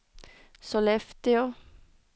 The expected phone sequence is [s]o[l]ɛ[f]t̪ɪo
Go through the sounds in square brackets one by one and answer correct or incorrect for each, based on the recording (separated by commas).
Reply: correct, correct, correct